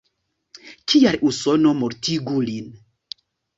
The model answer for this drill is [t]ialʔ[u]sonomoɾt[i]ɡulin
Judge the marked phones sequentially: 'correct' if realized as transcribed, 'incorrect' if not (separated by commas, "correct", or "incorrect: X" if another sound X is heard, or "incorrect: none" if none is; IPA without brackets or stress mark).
incorrect: k, correct, correct